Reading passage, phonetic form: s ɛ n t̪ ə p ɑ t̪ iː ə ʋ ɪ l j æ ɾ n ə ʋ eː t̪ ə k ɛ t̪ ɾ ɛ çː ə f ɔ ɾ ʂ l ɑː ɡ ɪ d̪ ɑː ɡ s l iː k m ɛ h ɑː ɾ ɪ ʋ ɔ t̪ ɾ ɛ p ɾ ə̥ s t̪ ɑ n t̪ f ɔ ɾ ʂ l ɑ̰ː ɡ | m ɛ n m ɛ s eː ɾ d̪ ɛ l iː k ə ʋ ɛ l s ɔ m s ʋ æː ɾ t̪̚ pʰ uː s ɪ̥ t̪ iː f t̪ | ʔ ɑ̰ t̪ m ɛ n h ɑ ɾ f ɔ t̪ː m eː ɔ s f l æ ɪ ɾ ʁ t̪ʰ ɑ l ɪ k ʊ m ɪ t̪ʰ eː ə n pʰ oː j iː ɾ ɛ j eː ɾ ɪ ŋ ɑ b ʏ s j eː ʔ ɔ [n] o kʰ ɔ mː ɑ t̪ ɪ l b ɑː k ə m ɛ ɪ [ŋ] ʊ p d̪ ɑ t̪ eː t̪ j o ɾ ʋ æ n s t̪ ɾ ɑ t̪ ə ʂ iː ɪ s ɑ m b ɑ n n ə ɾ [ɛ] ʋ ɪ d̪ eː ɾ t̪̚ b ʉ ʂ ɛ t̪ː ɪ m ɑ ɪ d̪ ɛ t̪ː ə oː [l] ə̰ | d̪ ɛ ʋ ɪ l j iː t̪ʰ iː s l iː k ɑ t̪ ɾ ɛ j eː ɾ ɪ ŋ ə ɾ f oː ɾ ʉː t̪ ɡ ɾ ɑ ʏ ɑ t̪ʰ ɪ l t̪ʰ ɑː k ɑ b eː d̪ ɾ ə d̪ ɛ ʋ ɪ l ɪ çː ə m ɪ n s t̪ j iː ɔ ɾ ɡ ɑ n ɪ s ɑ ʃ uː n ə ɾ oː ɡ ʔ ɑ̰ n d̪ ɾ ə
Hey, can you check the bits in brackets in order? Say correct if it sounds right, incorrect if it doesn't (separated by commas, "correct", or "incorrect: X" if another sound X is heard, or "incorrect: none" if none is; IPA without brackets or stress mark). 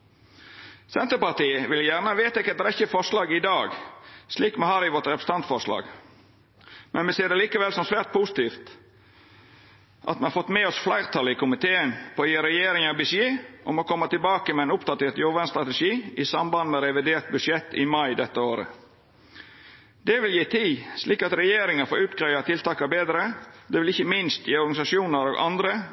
incorrect: m, incorrect: n, correct, incorrect: ɾ